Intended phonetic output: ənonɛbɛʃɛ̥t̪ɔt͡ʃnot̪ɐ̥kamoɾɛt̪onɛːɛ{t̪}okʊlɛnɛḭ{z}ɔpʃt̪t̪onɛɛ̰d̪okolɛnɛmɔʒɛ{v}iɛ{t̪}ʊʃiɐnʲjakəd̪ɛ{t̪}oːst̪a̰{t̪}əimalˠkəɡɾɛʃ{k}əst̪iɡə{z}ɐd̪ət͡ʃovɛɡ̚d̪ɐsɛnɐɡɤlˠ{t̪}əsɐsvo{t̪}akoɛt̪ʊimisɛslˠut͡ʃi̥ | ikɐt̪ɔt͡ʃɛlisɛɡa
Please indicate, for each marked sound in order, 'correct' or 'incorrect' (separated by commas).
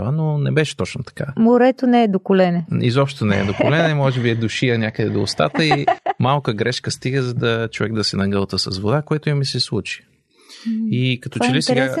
incorrect, correct, incorrect, incorrect, incorrect, correct, correct, correct, correct, incorrect